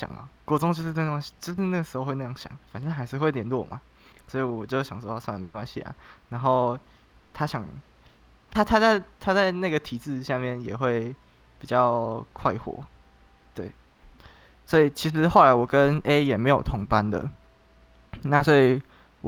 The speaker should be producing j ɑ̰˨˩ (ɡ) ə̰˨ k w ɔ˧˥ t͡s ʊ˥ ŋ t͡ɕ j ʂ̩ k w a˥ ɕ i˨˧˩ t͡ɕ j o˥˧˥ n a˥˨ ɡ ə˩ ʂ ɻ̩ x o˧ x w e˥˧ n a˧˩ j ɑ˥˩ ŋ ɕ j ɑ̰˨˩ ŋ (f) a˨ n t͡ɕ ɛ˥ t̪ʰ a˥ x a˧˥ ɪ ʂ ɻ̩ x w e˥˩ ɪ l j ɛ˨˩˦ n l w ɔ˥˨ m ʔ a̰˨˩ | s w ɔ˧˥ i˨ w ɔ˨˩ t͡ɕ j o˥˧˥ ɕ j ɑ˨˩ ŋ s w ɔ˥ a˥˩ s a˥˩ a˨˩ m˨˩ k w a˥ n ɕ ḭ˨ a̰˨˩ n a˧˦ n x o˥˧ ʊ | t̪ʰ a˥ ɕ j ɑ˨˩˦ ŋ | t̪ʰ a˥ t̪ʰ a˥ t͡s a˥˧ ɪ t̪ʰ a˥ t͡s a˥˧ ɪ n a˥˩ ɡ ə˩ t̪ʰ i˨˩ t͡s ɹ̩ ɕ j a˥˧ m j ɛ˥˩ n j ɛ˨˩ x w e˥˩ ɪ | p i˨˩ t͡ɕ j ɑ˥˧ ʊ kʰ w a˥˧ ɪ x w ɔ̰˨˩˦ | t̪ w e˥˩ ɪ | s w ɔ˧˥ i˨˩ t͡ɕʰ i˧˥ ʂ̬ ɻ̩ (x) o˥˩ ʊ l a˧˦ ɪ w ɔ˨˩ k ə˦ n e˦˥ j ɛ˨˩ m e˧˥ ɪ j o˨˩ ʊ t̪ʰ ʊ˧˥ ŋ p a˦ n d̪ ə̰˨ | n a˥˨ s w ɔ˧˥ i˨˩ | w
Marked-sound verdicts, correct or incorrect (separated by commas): incorrect, correct, correct